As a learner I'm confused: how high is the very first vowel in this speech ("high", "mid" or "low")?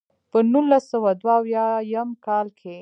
mid